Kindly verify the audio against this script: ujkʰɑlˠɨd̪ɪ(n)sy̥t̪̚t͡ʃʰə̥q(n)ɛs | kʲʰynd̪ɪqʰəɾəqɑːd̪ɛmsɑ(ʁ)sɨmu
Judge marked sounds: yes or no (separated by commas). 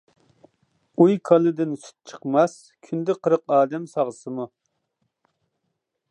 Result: yes, no, yes